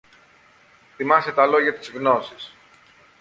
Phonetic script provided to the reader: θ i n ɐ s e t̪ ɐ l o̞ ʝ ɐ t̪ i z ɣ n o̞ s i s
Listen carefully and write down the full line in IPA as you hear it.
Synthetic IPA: θ i m ɐ s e t̪ ɐ l o̞ ʝ ɐ t̪ i z ɣ n o̞ s i s